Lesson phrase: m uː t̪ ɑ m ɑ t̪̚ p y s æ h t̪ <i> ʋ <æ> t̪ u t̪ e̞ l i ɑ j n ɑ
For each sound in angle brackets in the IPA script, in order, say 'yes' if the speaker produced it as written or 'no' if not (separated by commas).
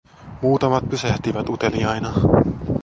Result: yes, yes